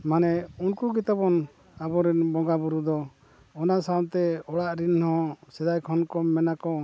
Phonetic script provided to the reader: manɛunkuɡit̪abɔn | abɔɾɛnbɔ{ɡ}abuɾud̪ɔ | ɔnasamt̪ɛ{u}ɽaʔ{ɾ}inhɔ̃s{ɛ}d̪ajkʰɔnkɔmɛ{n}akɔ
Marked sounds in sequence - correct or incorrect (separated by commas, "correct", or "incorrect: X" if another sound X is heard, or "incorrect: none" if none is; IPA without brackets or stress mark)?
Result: correct, incorrect: ɔ, correct, correct, correct